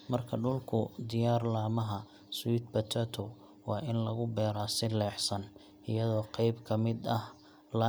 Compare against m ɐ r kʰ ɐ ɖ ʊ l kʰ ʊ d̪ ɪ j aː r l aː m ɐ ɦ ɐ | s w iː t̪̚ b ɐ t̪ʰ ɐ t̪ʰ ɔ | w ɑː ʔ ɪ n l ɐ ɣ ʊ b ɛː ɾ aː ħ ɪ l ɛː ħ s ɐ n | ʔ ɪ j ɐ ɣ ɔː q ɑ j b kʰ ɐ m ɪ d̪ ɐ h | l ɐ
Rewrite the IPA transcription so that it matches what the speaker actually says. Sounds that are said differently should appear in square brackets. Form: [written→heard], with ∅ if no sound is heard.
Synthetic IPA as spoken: m ɐ r kʰ ɐ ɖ ʊ l kʰ ʊ d̪ ɪ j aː r l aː m ɐ ɦ ɐ | s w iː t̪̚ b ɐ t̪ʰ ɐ t̪ʰ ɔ | w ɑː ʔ ɪ n l ɐ ɣ ʊ b ɛː ɾ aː [ħ→s] ɪ l ɛː ħ s ɐ n | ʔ ɪ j ɐ [ɣ→ð] ɔː q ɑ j b kʰ ɐ m ɪ d̪ ɐ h | l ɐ